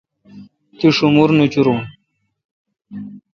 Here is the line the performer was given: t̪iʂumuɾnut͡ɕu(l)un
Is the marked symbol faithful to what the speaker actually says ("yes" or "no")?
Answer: no